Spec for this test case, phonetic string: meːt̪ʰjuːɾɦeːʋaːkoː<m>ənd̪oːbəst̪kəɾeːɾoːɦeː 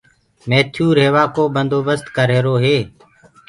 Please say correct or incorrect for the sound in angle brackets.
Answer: incorrect: b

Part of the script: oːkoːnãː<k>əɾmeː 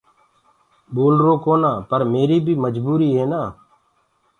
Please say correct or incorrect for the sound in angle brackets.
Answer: incorrect: p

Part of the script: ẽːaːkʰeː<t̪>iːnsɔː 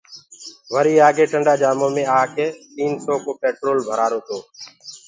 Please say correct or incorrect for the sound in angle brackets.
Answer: correct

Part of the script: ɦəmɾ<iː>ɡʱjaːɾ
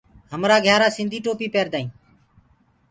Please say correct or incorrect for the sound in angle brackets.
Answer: incorrect: aː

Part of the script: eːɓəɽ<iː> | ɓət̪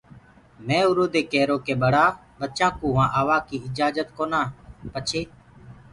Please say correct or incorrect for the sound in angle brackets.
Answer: incorrect: aː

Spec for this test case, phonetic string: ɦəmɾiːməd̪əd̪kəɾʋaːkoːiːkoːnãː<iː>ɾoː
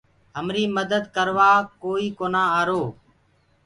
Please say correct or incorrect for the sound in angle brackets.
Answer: incorrect: aː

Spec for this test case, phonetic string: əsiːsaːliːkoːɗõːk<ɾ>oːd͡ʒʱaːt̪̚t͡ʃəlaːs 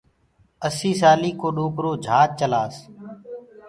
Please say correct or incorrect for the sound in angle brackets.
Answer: correct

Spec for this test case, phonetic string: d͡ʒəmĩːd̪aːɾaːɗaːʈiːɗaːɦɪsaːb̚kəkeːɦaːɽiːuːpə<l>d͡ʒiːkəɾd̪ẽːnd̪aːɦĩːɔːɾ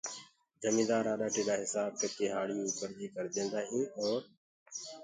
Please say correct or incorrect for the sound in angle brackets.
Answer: incorrect: ɾ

